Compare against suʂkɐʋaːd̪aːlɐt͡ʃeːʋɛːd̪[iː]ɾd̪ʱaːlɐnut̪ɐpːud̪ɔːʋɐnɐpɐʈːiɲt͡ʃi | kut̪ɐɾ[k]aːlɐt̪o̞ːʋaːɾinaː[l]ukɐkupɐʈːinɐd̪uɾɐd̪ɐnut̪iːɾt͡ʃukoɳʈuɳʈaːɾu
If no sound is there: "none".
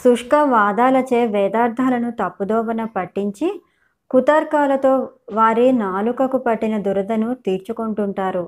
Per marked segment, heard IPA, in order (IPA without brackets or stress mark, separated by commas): aː, k, l